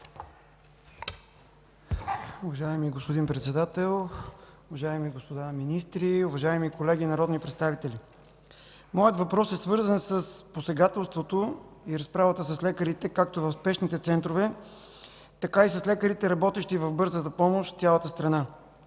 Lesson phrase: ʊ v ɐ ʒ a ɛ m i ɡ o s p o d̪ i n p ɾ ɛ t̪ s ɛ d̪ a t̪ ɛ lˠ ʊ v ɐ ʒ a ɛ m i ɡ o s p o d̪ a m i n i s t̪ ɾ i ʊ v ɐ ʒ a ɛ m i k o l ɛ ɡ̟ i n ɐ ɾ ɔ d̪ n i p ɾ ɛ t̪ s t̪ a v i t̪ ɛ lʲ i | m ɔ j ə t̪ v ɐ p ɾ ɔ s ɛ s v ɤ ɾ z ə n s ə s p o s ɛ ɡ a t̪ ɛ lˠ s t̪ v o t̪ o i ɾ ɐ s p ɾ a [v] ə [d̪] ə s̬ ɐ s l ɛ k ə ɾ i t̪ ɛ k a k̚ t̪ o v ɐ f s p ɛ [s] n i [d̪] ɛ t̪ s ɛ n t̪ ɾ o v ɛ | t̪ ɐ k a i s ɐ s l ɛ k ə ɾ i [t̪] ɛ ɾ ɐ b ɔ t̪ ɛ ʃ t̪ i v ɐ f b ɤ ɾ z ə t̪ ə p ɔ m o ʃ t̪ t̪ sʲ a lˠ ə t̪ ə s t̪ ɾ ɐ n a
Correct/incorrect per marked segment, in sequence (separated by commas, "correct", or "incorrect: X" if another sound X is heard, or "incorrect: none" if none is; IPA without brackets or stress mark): correct, incorrect: t̪, incorrect: ʃ, incorrect: t̪, correct